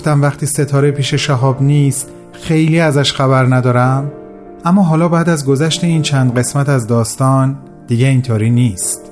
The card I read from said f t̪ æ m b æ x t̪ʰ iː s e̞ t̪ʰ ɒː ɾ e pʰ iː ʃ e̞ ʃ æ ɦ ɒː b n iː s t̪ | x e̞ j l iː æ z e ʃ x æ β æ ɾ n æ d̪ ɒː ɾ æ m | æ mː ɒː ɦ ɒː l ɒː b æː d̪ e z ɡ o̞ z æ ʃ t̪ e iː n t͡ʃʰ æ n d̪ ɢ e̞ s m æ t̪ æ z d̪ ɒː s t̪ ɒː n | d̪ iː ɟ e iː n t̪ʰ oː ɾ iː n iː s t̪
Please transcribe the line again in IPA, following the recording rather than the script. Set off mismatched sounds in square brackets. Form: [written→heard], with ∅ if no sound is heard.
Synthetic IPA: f t̪ æ m [b→v] æ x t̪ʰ iː s e̞ t̪ʰ ɒː ɾ e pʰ iː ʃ e̞ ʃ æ ɦ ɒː b n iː s t̪ | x e̞ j l iː æ z [e→æ] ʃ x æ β æ ɾ n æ d̪ ɒː ɾ æ m | æ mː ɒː ɦ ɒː l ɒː b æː d̪ [e→æ] z ɡ o̞ z æ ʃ t̪ e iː n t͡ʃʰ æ n d̪ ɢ e̞ s m æ t̪ æ z d̪ ɒː s t̪ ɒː n | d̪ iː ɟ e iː n t̪ʰ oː ɾ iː n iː s t̪